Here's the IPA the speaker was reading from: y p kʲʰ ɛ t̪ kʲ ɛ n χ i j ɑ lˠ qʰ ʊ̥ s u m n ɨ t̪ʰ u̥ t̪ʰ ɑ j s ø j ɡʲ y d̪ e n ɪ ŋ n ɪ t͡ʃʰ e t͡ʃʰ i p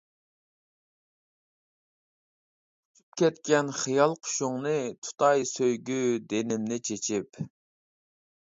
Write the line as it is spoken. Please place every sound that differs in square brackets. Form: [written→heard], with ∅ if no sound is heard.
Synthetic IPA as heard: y p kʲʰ ɛ t̪ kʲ ɛ n χ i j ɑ lˠ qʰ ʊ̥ [s→ʃ] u [m→ŋ] n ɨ t̪ʰ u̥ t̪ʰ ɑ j s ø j ɡʲ y d̪ e n ɪ [ŋ→m] n ɪ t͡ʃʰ e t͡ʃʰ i p